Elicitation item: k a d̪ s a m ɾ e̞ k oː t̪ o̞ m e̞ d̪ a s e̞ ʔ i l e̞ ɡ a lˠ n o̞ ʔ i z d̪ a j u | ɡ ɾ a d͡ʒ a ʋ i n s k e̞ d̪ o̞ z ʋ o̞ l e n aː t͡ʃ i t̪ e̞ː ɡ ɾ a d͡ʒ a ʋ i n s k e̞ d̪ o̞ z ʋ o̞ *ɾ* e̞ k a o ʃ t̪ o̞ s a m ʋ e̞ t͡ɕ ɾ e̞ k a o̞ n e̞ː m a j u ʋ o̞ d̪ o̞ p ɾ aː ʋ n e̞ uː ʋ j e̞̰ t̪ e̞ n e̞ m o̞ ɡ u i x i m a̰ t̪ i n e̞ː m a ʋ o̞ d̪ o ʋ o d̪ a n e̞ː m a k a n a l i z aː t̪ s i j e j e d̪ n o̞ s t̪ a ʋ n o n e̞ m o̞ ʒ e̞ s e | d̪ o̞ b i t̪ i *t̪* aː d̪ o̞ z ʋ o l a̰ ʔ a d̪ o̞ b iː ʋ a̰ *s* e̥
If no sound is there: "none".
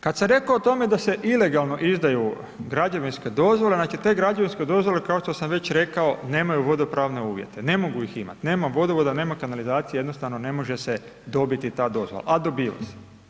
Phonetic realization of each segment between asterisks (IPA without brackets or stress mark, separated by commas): l, t̪, s